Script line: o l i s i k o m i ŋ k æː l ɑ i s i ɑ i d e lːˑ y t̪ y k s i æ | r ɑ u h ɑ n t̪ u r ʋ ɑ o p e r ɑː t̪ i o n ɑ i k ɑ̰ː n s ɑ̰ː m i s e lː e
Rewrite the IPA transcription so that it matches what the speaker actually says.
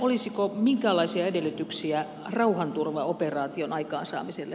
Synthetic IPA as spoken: o l i s i k o m i ŋ k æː l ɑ i s i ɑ e d e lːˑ y t̪ y k s i æ | r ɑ u h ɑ n t̪ u r ʋ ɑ o p e r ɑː t̪ i o n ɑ i k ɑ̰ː n s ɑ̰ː m i s e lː e